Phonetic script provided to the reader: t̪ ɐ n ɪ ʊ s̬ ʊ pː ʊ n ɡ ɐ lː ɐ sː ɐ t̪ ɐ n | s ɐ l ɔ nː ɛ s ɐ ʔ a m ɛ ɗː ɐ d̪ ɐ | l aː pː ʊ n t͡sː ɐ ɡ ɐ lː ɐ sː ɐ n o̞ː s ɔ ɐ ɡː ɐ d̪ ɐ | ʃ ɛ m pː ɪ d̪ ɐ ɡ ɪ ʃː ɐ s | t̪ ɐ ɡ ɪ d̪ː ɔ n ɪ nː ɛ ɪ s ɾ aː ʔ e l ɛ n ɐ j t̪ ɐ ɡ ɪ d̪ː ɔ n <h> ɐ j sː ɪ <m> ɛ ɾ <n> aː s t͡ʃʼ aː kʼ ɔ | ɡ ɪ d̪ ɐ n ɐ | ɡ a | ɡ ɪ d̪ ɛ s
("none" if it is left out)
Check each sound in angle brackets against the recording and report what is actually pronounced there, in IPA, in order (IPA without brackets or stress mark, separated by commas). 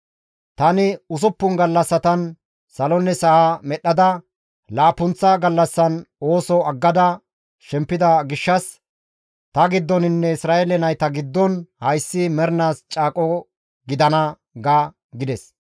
h, m, n